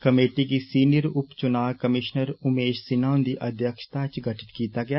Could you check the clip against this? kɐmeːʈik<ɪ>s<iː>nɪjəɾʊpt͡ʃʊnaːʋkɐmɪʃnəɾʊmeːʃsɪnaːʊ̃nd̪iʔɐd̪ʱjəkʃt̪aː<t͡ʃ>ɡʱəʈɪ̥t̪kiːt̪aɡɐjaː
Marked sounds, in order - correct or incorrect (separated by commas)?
incorrect, correct, correct